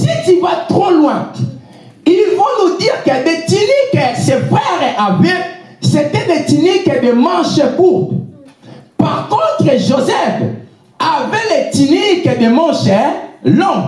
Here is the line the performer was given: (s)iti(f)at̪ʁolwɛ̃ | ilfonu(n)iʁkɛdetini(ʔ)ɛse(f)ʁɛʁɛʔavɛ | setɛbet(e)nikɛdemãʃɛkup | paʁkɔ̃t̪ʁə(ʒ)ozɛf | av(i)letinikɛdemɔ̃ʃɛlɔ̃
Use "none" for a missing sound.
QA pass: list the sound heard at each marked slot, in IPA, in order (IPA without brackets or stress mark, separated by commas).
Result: s, v, d, k, f, i, ʒ, ɛ